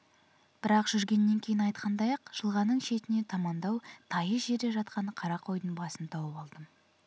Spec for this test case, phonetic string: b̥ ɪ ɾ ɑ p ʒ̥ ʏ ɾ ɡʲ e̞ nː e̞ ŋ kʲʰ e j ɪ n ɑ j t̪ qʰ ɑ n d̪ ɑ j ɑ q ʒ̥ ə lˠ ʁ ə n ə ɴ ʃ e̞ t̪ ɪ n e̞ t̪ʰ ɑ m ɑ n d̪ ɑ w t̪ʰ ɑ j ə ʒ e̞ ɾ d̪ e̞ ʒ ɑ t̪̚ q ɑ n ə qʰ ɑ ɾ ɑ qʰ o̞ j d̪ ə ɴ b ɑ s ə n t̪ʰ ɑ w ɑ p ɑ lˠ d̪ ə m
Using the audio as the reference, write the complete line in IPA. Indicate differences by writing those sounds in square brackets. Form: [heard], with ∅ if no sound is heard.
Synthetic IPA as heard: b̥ ɪ ɾ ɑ [q] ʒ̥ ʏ ɾ ɡʲ e̞ nː e̞ ŋ kʲʰ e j ɪ n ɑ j t̪ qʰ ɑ n d̪ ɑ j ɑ q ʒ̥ ə lˠ ʁ [ɑ] n ə ɴ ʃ e̞ t̪ ɪ n e̞ t̪ʰ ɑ m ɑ n d̪ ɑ w t̪ʰ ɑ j ə ʒ e̞ ɾ d̪ e̞ ʒ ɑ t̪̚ q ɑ n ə qʰ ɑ ɾ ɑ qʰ o̞ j d̪ ə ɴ b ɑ s ə n t̪ʰ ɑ w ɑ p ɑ lˠ d̪ ə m